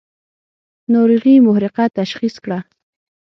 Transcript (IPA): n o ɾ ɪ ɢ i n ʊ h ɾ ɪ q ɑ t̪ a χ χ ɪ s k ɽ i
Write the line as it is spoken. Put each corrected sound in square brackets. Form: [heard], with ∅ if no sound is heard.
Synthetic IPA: n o ɾ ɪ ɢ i [m] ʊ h ɾ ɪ q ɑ t̪ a [ʃ] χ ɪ s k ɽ [a]